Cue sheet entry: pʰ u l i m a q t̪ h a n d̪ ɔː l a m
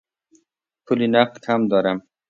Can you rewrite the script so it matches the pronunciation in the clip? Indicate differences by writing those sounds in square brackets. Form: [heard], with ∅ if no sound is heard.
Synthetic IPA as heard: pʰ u l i [n] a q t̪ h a [m] d̪ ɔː [ɾ] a m